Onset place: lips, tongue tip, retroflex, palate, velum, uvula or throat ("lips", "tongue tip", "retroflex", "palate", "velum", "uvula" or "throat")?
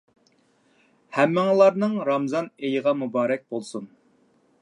throat